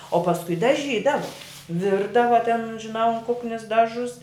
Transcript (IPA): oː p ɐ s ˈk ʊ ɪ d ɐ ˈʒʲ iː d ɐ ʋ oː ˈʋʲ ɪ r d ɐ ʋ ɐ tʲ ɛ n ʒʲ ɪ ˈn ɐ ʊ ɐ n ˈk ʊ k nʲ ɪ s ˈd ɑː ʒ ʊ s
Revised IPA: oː p ɐ s ˈk ʊ ɪ d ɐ ˈʒʲ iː d ɐ ʋ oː ˈʋʲ ɪ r d ɐ ʋ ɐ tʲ ɛ n ʒʲ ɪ ˈn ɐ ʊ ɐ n ˈk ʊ k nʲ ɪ s ˈd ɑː ʒ ʊ s